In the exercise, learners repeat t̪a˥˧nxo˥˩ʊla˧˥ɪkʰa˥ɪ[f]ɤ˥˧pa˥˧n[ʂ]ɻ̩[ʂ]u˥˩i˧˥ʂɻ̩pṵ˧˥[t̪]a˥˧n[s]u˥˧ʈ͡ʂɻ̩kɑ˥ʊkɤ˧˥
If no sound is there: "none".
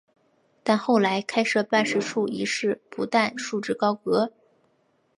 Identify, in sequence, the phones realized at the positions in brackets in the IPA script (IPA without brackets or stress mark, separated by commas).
ʂ, ʂ, ʂ, t̪, ʂ